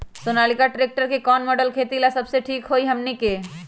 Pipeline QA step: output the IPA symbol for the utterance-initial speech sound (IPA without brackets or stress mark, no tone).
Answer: s